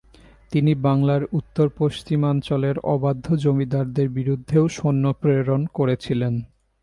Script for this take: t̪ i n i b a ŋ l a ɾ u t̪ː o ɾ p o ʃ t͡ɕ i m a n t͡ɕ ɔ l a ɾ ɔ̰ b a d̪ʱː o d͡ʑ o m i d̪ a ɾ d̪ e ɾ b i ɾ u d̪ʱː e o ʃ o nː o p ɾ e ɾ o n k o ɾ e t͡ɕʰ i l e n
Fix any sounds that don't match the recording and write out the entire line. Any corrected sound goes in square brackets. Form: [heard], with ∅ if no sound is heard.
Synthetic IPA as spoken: t̪ i n i b a ŋ l a ɾ u t̪ː o ɾ p o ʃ t͡ɕ i m a n t͡ɕ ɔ l [e] ɾ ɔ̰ b a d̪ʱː o d͡ʑ o m i d̪ a ɾ d̪ e ɾ b i ɾ u d̪ʱː e o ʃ o nː o p ɾ e ɾ o n k o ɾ e t͡ɕʰ i l e n